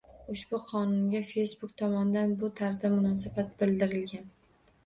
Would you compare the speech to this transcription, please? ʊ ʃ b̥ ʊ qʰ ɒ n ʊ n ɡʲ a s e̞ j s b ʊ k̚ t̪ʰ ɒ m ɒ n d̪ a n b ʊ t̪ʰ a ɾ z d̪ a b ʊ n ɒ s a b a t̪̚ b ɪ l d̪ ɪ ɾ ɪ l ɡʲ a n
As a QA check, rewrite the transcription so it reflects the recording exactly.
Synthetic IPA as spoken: ʊ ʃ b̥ ʊ qʰ ɒ n ʊ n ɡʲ a f e̞ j s b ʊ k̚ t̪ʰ ɒ m ɒ n d̪ a n b ʊ t̪ʰ a ɾ z d̪ a m ʊ n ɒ s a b a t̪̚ b ɪ l d̪ ɪ ɾ ɪ l ɡʲ a n